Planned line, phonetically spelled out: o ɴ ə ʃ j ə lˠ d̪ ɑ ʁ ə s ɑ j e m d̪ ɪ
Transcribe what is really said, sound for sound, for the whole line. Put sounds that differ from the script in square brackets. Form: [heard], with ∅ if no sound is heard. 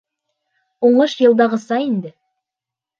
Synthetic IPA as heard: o ɴ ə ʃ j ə lˠ d̪ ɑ ʁ ə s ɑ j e [n] d̪ ɪ